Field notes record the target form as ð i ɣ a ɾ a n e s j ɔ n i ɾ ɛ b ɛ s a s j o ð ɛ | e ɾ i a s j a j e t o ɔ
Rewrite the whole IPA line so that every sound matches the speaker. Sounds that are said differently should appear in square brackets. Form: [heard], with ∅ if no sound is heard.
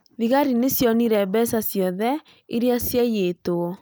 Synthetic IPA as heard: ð i ɣ a ɾ [i] n e s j ɔ n i ɾ ɛ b ɛ s a s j [ɔ] ð ɛ | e ɾ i a s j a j e t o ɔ